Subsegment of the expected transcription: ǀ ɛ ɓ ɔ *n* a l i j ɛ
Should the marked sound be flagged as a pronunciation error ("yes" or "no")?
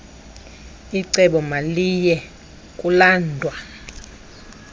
yes